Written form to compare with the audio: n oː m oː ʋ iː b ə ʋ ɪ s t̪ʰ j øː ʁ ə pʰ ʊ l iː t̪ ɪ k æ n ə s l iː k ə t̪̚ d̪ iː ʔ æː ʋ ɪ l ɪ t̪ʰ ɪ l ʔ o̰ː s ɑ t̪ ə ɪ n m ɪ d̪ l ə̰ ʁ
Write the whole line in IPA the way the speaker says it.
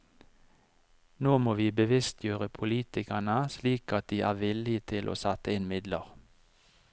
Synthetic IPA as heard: n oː m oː ʋ iː b ə ʋ ɪ s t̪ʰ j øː ʁ ə pʰ ʊ l iː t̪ ɪ k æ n ə s l iː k ɑ t̪̚ d̪ iː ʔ æː ʋ ɪ l ɪ t̪ʰ ɪ l ʔ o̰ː s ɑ t̪ ə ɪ n m ɪ d̪ l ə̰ ʁ